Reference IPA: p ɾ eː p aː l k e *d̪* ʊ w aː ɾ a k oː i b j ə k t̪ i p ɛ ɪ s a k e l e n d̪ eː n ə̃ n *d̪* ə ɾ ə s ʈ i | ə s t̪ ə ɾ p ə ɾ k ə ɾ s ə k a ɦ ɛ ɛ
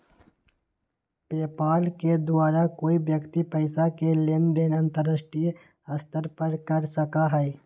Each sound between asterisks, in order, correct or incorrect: correct, incorrect: t̪

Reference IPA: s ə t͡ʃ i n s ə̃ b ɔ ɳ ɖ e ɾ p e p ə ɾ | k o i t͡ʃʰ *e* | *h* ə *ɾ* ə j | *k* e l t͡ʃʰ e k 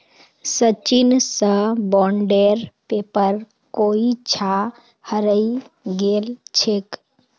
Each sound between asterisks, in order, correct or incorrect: incorrect: a, correct, correct, incorrect: ɡ

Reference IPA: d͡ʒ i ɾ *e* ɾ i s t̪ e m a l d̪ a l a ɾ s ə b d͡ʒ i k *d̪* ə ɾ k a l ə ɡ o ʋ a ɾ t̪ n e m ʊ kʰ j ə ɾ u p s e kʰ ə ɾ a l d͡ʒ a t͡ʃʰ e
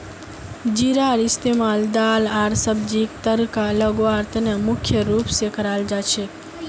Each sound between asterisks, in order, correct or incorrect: incorrect: a, incorrect: t̪

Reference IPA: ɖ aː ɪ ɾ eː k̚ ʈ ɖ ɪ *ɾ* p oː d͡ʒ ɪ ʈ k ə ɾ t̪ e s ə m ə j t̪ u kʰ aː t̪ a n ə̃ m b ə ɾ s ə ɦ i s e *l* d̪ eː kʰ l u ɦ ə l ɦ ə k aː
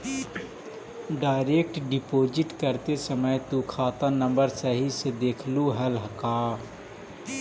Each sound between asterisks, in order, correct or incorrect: incorrect: none, incorrect: none

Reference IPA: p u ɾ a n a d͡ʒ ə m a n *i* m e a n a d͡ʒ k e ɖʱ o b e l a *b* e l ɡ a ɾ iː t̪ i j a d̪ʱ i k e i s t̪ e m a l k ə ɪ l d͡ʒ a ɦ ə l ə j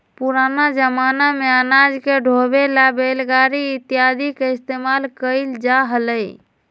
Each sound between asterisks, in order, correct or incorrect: incorrect: a, correct

